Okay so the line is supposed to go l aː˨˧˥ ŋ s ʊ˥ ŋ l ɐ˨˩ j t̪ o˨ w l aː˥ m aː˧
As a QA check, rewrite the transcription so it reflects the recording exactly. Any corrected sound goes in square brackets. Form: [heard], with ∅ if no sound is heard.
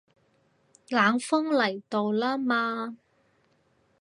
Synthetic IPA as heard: l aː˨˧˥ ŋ [f] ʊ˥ ŋ l ɐ˨˩ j t̪ o˨ w l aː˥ m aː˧

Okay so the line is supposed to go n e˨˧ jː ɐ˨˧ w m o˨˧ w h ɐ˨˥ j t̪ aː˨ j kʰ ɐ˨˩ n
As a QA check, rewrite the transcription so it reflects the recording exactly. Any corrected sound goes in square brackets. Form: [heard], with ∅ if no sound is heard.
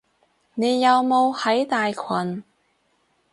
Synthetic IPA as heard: n e˨˧ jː ɐ˨˧ w m o˨˧ w h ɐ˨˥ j t̪ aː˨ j kʰ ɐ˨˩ n

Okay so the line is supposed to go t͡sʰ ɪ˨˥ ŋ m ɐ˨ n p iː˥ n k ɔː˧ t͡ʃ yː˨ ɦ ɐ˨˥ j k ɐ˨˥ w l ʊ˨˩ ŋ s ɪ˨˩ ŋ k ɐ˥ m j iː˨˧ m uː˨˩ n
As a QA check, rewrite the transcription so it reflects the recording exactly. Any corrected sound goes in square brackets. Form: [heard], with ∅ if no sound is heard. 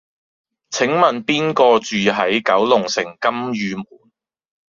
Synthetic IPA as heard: t͡sʰ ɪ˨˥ ŋ m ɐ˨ n p iː˥ n k ɔː˧ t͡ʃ yː˨ ɦ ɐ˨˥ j k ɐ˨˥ w l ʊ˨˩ ŋ s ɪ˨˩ ŋ k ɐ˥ m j [yː˨˧] m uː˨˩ n

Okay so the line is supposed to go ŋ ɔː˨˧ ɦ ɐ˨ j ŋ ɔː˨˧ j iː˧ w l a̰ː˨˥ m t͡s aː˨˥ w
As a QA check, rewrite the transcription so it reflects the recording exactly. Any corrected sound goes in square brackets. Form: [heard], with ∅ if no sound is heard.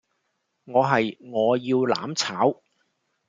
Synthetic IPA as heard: ŋ ɔː˨˧ ɦ ɐ˨ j ŋ ɔː˨˧ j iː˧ w l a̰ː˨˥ m [t͡sʰ] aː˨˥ w

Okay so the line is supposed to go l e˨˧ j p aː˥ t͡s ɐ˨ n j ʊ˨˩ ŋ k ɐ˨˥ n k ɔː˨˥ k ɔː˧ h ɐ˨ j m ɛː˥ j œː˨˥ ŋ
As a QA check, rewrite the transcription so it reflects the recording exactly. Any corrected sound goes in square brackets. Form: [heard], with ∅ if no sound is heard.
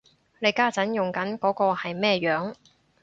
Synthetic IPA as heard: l e˨˧ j [k] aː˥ t͡s [ɐ˨˥] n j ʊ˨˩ ŋ k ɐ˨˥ n k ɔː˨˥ k ɔː˧ h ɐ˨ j m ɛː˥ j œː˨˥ ŋ

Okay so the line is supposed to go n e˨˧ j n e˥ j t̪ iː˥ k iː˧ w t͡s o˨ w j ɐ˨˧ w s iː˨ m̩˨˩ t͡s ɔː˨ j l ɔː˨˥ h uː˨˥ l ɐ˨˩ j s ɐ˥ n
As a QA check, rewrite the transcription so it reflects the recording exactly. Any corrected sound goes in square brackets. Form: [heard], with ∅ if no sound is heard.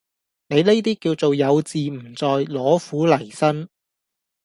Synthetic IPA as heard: n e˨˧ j n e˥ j t̪ iː˥ k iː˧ w t͡s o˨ w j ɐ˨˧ w [t͡s] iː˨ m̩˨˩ t͡s ɔː˨ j l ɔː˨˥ [f] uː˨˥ l ɐ˨˩ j s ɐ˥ n

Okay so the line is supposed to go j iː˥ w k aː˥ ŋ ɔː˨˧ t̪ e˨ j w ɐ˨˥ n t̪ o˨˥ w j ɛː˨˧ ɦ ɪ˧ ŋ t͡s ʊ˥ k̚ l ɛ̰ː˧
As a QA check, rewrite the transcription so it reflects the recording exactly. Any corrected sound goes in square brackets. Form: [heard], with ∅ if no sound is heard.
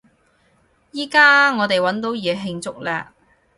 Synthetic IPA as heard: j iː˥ [∅] k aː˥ ŋ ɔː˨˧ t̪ e˨ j w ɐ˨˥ n t̪ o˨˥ w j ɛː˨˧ ɦ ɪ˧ ŋ t͡s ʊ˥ k̚ l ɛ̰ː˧

